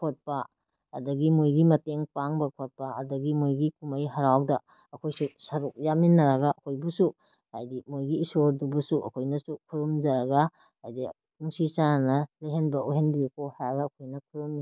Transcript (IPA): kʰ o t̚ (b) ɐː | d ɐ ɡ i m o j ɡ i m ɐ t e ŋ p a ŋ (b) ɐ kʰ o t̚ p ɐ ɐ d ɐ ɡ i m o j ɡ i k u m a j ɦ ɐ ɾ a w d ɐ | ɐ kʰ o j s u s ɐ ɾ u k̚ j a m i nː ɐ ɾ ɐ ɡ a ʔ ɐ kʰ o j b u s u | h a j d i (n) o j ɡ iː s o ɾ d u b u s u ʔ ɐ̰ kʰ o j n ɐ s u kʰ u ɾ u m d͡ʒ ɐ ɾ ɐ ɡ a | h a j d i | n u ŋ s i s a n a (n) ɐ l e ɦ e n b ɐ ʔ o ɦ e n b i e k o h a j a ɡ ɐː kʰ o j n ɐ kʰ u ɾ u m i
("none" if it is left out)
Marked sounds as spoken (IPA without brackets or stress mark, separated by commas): p, b, m, n